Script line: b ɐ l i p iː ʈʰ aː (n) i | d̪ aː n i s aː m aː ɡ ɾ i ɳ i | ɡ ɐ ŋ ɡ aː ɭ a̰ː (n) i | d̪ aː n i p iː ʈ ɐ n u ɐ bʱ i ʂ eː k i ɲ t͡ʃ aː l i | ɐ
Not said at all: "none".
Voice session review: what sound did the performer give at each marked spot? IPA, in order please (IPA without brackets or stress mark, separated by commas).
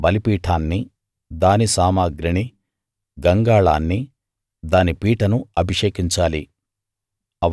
nː, nː